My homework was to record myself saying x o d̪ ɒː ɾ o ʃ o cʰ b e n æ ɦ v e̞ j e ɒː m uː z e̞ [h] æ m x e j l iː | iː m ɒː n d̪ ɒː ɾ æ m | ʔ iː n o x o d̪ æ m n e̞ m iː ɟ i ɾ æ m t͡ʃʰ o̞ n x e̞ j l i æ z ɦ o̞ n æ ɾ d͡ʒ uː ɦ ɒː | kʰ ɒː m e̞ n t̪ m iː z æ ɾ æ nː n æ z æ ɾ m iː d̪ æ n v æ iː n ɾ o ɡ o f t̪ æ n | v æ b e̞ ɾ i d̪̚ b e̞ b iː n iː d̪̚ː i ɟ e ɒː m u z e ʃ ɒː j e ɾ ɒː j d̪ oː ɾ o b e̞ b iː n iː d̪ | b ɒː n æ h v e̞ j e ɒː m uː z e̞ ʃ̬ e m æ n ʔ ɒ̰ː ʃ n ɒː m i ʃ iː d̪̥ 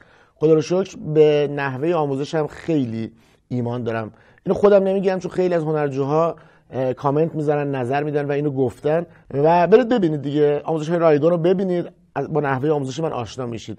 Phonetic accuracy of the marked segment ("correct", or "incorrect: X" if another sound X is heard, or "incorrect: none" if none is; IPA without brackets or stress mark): incorrect: ʃ